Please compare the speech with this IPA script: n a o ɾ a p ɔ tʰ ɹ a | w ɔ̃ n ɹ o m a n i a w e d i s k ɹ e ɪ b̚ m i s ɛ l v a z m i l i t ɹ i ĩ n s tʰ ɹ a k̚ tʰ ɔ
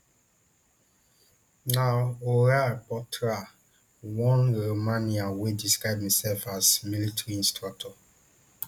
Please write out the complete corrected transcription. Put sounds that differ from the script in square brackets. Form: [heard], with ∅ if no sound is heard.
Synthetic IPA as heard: n a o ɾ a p ɔ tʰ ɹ a | w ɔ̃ n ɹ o m a n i a w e d i s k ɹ [a] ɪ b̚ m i s ɛ l [f] a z m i l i t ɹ i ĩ n s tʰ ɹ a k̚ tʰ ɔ